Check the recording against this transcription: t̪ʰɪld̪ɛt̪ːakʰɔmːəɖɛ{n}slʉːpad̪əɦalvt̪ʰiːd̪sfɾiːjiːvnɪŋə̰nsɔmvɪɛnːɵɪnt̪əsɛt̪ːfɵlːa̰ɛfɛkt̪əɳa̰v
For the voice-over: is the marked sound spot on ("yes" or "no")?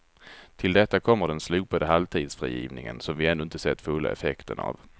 yes